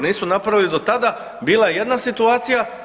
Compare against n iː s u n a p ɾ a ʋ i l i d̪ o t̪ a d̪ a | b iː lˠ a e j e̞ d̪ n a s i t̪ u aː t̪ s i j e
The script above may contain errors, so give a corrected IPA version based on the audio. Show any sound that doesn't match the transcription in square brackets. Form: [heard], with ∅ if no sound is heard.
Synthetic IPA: n iː s u n a p ɾ a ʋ i l i d̪ o t̪ a d̪ a | b iː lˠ a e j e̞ d̪ n a s i t̪ u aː t̪ s i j [a]